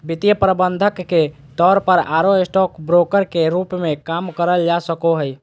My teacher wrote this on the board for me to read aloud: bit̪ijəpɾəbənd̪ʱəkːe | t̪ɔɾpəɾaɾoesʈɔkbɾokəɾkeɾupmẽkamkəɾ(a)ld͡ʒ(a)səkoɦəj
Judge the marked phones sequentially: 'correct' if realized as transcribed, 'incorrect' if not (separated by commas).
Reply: incorrect, correct